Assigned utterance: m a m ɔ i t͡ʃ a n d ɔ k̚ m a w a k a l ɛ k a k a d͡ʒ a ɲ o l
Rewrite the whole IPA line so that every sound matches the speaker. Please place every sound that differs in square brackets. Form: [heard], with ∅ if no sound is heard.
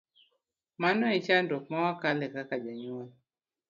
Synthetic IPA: m a [n] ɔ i t͡ʃ a n d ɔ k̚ m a w a k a l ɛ k a k a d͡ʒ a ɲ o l